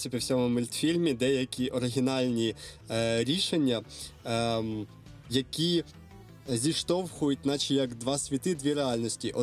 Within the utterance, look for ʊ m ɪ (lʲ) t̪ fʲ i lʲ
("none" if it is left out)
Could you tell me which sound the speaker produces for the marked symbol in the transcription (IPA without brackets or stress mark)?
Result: lʲ